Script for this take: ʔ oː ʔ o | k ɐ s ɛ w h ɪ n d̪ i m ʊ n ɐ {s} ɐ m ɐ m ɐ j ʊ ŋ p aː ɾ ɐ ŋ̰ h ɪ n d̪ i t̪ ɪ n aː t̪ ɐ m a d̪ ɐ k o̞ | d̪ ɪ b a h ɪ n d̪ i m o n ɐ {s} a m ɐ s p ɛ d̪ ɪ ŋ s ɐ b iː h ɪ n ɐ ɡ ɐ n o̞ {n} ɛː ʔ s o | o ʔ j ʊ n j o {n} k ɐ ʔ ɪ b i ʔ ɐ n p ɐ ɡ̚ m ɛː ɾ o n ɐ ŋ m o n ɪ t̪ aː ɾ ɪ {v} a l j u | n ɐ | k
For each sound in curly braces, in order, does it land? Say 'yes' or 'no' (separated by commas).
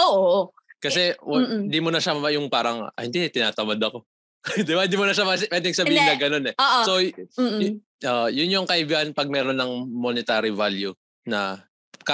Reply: no, no, yes, no, yes